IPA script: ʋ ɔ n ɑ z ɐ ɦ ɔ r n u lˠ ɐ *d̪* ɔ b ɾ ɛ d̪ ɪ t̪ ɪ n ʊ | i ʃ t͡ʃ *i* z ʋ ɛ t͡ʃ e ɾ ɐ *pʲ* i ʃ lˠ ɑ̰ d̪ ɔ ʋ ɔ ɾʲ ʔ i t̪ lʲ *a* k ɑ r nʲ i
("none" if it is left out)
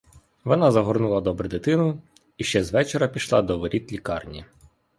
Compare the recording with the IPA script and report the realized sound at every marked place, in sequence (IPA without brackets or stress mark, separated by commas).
d̪, ɛ, pʲ, i